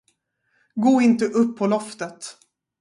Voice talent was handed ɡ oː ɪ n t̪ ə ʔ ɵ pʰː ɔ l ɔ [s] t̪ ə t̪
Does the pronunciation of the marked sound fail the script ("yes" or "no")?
yes